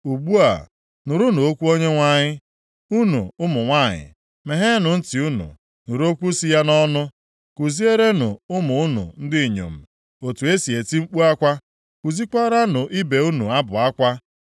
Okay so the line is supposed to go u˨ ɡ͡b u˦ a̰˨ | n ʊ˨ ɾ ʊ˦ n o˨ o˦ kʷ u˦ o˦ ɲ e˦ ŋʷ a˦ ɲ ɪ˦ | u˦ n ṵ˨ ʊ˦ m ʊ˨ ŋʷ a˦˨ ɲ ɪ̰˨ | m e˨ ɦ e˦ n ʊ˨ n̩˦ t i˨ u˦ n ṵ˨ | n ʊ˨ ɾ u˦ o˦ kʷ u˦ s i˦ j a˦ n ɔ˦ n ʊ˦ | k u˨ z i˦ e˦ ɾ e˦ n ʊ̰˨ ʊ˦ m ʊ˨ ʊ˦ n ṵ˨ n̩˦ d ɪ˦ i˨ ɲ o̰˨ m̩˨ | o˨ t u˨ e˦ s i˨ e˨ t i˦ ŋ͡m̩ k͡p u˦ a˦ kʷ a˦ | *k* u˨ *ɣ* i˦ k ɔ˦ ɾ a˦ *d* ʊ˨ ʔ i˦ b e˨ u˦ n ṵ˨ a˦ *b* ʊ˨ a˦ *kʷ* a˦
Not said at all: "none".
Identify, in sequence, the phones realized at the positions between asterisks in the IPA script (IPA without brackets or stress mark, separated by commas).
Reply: k, z, n, b, kʷ